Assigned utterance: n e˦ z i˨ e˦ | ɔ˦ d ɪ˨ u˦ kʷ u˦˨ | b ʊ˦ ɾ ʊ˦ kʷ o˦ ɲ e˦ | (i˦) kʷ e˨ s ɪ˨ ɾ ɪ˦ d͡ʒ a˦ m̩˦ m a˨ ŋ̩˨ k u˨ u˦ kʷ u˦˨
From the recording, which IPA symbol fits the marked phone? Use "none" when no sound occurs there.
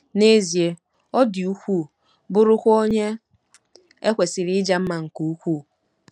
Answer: e˦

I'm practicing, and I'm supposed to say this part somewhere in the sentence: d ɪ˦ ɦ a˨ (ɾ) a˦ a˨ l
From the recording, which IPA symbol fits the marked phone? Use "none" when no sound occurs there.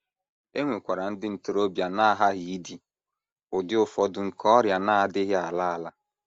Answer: l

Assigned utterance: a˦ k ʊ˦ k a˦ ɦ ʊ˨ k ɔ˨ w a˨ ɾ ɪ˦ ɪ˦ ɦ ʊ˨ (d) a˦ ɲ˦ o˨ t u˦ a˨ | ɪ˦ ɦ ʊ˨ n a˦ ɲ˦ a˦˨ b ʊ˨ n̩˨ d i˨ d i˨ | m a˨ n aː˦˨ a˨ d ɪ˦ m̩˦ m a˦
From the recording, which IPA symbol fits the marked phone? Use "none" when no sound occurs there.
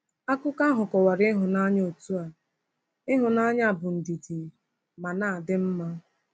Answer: n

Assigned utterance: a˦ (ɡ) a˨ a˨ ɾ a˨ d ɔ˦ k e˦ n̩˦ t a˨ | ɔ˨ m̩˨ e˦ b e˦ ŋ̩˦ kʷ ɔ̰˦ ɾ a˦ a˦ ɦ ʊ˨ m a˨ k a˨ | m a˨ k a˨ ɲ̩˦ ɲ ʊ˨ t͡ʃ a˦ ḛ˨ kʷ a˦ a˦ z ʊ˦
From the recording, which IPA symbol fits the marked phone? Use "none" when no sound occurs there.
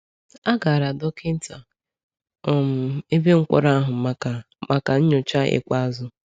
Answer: ɡ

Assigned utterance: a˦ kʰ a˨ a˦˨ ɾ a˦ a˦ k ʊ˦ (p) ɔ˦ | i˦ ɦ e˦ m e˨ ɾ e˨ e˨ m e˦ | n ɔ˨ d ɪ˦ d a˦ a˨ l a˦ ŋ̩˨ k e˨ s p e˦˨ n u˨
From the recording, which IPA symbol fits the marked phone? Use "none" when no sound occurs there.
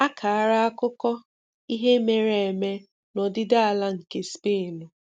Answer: k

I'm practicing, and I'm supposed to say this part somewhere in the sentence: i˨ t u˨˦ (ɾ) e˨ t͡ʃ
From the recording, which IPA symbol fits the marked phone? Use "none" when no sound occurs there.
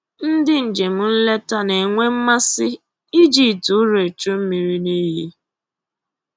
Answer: ɾ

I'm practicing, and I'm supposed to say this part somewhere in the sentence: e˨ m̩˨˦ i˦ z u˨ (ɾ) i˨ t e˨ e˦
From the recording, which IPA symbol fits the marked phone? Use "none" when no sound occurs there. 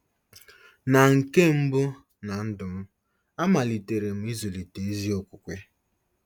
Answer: l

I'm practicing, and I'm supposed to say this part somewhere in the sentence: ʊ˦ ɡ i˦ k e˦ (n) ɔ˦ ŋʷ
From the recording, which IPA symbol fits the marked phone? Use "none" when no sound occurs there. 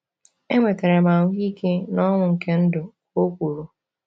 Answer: n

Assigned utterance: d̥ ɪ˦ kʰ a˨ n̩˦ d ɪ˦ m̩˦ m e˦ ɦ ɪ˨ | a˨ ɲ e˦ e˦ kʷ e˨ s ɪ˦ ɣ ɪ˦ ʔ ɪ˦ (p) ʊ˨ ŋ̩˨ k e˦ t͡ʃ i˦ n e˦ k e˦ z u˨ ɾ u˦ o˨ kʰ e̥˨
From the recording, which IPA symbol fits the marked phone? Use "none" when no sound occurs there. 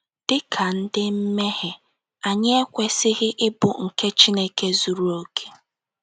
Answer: b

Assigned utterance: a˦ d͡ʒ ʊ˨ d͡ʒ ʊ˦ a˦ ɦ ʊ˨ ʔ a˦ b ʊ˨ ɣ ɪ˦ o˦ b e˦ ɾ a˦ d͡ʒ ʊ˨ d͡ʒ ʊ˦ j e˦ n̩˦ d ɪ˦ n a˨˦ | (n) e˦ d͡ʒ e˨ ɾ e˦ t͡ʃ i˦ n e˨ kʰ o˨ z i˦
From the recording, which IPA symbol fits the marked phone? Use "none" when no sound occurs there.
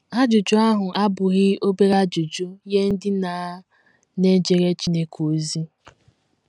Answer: n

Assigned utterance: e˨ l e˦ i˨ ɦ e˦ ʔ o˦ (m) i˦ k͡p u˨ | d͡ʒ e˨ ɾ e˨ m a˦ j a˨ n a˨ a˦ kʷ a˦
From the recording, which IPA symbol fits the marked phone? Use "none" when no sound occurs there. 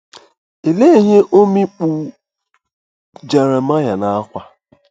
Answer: m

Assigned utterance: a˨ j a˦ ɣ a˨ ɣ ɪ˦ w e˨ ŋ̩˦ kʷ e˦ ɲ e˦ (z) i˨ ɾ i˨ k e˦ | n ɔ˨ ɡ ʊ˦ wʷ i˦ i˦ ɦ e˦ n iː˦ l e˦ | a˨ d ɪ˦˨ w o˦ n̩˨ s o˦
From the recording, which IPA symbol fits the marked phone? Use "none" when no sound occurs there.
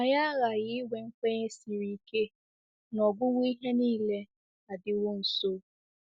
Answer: s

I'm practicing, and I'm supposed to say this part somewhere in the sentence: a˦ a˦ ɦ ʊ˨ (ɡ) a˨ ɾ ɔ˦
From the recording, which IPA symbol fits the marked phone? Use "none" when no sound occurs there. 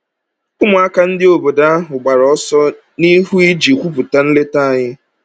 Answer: ɡ͡b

